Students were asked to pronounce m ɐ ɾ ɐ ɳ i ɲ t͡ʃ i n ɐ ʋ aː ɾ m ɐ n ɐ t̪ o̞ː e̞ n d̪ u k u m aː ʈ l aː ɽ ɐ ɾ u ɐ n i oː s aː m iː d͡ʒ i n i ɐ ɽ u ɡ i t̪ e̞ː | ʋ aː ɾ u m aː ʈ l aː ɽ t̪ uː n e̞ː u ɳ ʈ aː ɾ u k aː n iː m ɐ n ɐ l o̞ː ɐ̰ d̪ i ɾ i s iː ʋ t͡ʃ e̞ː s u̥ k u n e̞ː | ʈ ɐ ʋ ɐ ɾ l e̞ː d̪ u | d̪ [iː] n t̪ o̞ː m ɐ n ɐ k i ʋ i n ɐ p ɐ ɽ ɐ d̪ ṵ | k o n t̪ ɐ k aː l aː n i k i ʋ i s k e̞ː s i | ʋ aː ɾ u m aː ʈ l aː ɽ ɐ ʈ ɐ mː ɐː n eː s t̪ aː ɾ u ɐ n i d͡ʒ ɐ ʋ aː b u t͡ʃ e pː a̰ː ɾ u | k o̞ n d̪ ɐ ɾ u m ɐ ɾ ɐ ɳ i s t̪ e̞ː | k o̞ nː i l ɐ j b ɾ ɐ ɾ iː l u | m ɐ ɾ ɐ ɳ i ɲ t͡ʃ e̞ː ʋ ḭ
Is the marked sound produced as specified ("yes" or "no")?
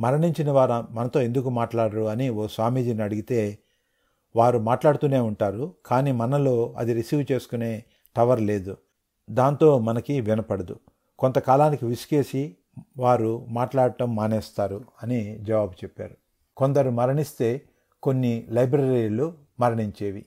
no